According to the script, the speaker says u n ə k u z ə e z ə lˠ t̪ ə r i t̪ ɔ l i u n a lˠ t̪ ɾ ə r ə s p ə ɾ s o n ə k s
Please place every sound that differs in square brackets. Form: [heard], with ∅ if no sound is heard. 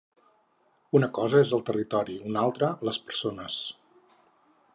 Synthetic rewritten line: u n ə k [ɔ] z ə e z ə lˠ t̪ ə r i t̪ ɔ [ɾ] i u n a lˠ t̪ ɾ ə [l] ə s p ə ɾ s o n ə [∅] s